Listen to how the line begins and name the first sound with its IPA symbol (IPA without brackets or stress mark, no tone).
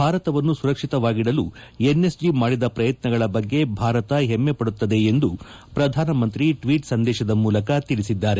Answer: bʱ